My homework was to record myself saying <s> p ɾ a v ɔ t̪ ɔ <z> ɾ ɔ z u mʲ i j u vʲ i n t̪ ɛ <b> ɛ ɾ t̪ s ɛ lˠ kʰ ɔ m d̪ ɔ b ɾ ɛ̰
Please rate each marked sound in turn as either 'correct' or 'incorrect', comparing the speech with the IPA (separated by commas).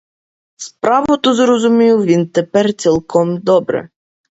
correct, correct, incorrect